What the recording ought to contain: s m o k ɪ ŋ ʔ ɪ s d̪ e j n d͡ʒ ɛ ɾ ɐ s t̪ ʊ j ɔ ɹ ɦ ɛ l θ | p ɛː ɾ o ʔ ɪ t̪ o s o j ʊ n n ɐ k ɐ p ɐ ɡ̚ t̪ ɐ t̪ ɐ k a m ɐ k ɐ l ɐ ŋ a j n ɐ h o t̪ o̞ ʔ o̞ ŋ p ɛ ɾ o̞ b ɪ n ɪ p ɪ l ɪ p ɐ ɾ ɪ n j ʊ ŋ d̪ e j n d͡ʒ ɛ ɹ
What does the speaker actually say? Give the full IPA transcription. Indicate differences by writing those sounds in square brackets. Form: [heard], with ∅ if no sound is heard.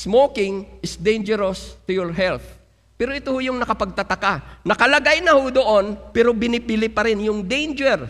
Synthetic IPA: s m o k ɪ ŋ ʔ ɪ s d̪ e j n d͡ʒ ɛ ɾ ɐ s t̪ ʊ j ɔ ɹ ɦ ɛ l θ | p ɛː ɾ o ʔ ɪ t̪ o [h] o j ʊ [ŋ] n ɐ k ɐ p ɐ ɡ̚ t̪ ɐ t̪ ɐ k a [n] ɐ k ɐ l ɐ [ɡ] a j n ɐ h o [d̪] o̞ ʔ o̞ [n] p ɛ ɾ o̞ b ɪ n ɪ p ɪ l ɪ p ɐ ɾ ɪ n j ʊ ŋ d̪ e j n d͡ʒ ɛ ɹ